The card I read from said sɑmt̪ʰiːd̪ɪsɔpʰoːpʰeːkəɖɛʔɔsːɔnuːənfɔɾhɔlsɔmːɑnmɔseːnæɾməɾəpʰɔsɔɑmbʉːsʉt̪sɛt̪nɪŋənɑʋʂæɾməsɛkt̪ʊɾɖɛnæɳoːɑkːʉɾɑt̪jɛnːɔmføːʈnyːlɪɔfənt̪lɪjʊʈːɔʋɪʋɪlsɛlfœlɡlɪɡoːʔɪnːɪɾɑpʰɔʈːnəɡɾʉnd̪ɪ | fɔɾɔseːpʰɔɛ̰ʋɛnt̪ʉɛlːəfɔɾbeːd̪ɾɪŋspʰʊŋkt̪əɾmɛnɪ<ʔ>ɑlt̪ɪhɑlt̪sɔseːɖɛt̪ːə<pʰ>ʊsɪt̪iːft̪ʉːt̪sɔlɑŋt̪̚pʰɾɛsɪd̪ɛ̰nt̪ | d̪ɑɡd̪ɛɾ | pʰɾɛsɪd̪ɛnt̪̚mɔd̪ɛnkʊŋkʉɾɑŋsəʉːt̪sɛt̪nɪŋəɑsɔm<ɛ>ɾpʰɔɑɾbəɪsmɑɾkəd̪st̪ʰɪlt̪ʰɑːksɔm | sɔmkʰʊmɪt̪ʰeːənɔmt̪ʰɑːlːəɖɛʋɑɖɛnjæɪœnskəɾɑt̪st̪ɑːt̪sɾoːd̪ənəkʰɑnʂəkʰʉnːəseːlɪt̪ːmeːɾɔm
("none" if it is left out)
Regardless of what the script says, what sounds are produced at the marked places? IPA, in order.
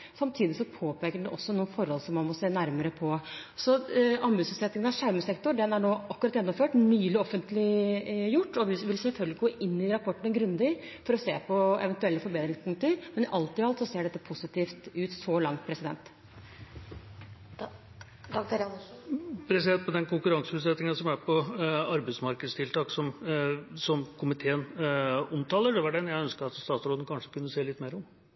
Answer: ʔ, pʰ, æ

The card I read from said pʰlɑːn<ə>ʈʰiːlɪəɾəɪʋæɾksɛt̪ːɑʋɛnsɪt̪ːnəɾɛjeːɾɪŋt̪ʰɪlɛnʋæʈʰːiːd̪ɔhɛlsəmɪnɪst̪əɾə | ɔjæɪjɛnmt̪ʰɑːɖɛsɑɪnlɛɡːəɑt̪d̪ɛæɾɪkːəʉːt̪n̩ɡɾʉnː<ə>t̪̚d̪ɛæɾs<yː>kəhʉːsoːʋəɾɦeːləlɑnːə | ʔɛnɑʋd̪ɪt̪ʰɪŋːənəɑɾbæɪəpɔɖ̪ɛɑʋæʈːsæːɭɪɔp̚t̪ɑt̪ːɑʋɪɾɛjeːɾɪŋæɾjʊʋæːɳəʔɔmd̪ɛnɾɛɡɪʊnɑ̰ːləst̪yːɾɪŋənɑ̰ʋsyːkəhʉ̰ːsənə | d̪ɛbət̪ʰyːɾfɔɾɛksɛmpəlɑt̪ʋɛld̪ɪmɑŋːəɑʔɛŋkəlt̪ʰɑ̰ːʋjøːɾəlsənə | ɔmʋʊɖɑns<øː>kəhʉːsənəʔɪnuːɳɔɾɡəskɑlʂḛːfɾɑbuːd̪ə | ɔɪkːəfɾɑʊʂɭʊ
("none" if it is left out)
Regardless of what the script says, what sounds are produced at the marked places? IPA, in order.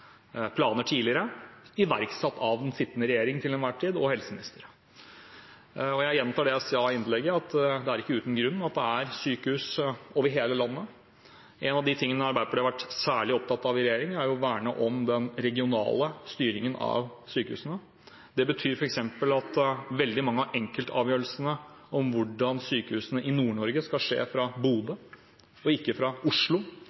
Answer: ə, ɑ, yː, yː

